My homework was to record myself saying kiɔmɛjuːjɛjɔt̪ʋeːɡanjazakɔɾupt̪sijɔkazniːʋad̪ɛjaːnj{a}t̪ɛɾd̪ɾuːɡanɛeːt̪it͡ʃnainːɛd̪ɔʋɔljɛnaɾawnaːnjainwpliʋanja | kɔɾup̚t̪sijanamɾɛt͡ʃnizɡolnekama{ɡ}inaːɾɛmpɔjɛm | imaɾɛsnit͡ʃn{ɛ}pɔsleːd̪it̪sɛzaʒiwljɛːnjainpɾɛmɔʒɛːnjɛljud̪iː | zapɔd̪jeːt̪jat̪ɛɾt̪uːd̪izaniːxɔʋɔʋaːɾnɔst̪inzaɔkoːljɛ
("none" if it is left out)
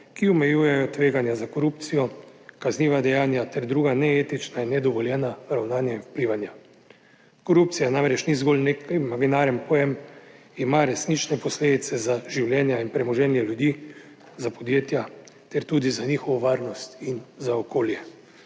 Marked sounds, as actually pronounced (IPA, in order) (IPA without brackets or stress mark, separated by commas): a, ɡ, ɛ